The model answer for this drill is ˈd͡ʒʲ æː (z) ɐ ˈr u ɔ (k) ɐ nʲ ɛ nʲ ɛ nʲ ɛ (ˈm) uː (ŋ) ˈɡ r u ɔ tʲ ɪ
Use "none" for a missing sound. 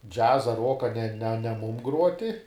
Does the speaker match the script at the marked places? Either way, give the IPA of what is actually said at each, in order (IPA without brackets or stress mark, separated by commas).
z, k, m, m